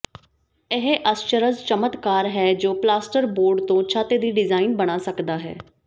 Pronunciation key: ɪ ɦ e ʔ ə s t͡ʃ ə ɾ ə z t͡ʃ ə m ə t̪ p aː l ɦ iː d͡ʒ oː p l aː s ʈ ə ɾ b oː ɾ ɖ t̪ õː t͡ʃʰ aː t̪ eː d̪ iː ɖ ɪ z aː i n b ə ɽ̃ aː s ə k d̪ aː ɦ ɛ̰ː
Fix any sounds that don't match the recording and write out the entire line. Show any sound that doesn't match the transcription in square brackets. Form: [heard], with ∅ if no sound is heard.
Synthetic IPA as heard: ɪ ɦ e ʔ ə s t͡ʃ ə ɾ ə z t͡ʃ ə m ə t̪ [k] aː [ɾ] ɦ [ɛː] d͡ʒ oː p l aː s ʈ ə ɾ b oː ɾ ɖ t̪ õː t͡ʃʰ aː t̪ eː d̪ iː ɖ ɪ z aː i n b ə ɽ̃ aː s ə k d̪ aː ɦ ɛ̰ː